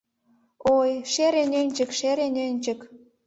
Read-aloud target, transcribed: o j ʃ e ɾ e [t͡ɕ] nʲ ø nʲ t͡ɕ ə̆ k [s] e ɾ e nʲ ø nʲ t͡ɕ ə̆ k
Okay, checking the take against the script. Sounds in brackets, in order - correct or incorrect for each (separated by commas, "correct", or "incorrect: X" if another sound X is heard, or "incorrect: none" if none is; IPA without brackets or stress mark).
incorrect: none, incorrect: ʃ